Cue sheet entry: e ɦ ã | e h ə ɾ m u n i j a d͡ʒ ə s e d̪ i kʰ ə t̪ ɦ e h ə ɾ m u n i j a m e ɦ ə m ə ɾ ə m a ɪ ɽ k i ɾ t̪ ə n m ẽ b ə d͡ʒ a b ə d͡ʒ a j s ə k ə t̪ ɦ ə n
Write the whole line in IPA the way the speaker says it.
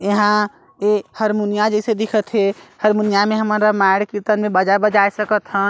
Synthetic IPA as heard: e ɦ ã | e h ə ɾ m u n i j a d͡ʒ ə s e d̪ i kʰ ə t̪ ɦ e h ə ɾ m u n i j a m e ɦ ə m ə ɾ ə m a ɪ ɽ k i ɾ t̪ ə n m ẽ b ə d͡ʒ a b ə d͡ʒ a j s ə k ə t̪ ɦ ə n

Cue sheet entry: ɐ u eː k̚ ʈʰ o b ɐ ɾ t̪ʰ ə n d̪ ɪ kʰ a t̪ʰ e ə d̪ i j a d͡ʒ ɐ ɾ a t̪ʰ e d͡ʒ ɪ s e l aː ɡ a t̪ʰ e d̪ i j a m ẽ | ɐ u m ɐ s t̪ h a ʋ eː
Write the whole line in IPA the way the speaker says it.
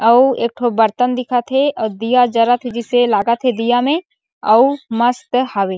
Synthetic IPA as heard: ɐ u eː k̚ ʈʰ o b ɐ ɾ t̪ ə n d̪ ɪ kʰ a t̪ʰ e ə d̪ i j a d͡ʒ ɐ ɾ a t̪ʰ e d͡ʒ ɪ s e l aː ɡ a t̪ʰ e d̪ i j a m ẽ | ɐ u m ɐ s t̪ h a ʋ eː

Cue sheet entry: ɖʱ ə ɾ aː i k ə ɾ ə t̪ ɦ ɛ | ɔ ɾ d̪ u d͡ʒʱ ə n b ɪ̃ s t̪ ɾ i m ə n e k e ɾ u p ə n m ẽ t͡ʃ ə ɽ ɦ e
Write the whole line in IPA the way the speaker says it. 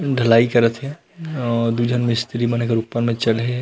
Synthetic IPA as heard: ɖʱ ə l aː i k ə ɾ ə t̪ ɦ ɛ | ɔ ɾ d̪ u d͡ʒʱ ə n m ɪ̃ s t̪ ɾ i m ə n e k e ɾ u p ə n m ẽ t͡ʃ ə l ɦ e

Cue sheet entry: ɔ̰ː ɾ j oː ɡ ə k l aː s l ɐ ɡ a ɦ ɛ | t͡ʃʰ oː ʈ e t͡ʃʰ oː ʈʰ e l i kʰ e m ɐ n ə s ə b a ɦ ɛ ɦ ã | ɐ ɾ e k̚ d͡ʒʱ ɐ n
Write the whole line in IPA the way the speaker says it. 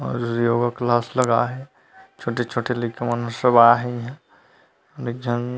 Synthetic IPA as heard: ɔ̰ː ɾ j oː ɡ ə k l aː s l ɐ ɡ a ɦ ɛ | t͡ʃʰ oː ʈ e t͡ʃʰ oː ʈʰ e l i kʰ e m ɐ n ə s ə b a ɦ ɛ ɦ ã | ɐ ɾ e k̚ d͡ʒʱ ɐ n

